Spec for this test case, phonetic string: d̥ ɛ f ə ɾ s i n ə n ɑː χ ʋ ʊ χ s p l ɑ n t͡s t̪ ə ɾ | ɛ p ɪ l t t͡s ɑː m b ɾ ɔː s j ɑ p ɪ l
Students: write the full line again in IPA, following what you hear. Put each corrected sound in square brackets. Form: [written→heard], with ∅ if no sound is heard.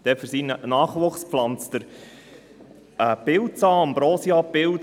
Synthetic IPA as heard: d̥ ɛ f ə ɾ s i n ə n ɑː χ ʋ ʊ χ s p l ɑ n t͡s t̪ ə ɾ | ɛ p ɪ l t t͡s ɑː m b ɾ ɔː s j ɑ p ɪ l